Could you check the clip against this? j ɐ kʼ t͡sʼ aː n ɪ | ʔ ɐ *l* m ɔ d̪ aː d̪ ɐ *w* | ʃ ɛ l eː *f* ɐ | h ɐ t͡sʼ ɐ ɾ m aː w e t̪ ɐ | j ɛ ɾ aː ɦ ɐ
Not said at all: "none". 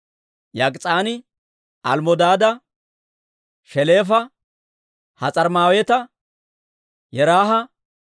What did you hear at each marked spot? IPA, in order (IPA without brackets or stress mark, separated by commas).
l, none, f